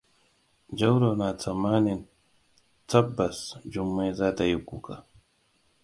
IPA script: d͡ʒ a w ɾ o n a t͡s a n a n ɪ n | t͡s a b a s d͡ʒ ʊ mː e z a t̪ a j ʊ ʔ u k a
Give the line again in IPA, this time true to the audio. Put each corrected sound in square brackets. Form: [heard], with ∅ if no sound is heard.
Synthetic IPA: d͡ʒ a w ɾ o n a t͡s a [m] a n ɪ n | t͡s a b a s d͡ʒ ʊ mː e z a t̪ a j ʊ [k] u k a